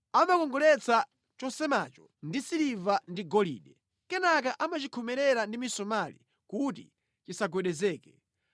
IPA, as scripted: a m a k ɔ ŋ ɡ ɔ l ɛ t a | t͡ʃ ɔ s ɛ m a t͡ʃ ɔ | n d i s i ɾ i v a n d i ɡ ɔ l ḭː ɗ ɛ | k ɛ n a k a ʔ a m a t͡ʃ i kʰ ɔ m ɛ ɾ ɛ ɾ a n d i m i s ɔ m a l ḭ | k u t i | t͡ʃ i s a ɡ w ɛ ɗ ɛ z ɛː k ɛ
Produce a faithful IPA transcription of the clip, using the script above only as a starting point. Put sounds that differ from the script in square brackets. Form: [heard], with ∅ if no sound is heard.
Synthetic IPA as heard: a m a k ɔ ŋ ɡ ɔ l ɛ [t͡s] a | t͡ʃ ɔ s ɛ m a t͡ʃ ɔ | n d i s i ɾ i v a n d i ɡ ɔ l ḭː ɗ ɛ | k ɛ n a k a ʔ a m a t͡ʃ i kʰ ɔ m ɛ ɾ ɛ ɾ a n d i m i s ɔ m a l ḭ | k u t i | t͡ʃ i s a ɡ w ɛ ɗ ɛ z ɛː k ɛ